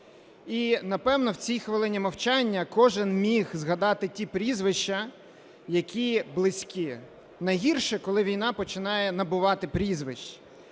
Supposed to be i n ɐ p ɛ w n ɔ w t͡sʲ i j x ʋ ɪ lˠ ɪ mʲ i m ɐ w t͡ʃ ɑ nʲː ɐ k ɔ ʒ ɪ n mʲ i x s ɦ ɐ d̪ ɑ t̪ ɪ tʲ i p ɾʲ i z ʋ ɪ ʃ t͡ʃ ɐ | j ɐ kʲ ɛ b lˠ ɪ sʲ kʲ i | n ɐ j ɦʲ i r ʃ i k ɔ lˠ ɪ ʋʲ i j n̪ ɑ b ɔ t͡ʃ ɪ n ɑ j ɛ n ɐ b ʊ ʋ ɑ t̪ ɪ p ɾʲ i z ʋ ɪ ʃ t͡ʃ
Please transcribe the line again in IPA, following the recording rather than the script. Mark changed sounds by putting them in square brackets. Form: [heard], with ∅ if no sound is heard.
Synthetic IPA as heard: i n ɐ p ɛ w n ɔ w t͡sʲ i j x ʋ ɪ lˠ ɪ [nʲ] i m ɐ w t͡ʃ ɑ nʲː ɐ k ɔ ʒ ɪ n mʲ i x [z] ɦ ɐ d̪ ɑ t̪ ɪ tʲ i p ɾʲ i z ʋ ɪ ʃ t͡ʃ ɐ | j ɐ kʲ [i] b lˠ ɪ sʲ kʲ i | n ɐ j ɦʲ i r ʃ [ɛ] k ɔ lˠ ɪ ʋʲ i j n̪ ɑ [p] ɔ t͡ʃ ɪ n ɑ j ɛ n ɐ b ʊ ʋ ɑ t̪ ɪ p ɾʲ i z ʋ ɪ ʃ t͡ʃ